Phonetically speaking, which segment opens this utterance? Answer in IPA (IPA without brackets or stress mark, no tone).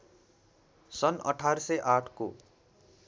s